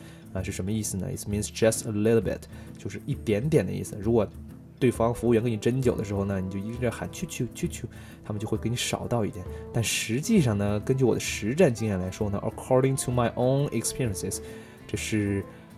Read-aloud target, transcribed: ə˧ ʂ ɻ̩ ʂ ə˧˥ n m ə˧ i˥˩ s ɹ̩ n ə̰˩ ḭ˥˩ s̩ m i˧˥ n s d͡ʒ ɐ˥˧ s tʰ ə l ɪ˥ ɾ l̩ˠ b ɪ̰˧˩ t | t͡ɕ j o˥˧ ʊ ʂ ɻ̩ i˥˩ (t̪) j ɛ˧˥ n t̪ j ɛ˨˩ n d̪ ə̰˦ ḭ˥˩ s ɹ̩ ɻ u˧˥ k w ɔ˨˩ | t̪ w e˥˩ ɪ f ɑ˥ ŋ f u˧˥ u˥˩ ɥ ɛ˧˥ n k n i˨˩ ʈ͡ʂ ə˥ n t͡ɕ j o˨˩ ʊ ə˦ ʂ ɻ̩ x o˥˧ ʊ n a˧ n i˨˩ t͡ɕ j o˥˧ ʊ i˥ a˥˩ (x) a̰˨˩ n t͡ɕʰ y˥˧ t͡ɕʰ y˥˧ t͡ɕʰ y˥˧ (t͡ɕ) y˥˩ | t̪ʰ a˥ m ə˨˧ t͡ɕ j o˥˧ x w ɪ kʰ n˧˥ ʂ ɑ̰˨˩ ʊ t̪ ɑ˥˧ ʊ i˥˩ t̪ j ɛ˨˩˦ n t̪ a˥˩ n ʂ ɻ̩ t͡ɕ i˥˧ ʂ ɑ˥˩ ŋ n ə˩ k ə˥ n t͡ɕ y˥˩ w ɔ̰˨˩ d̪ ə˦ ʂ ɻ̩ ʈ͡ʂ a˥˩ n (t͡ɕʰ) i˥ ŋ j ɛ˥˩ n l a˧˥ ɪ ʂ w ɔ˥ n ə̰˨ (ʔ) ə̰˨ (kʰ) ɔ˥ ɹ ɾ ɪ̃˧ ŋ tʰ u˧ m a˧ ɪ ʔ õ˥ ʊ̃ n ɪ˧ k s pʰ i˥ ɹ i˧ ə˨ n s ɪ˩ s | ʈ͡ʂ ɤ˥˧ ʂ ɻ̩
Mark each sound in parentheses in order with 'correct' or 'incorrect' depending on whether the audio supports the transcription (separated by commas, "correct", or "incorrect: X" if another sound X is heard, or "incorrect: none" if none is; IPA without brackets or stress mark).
correct, correct, incorrect: t͡ɕʰ, incorrect: t͡ɕ, correct, correct